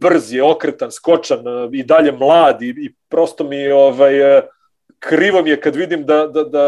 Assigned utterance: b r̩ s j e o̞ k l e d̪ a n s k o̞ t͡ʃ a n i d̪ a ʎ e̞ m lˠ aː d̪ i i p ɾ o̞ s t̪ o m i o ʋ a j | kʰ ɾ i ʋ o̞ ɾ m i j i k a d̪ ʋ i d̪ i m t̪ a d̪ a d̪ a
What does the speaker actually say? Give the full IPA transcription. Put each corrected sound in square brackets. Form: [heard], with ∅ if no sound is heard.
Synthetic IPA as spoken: b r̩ [z] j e o̞ k [ɾ] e [t̪] a n s k o̞ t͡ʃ a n i d̪ a ʎ e̞ m lˠ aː d̪ i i p ɾ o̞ s t̪ o m i o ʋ a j | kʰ ɾ i ʋ o̞ [∅] m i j [e] k a d̪ ʋ i d̪ i m [d̪] a d̪ a d̪ a